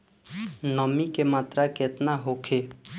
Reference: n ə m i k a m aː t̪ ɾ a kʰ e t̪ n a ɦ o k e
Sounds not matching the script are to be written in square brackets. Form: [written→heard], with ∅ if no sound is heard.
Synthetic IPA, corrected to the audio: n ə m i k [a→e] m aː t̪ ɾ a [kʰ→k] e t̪ n a ɦ o [k→kʰ] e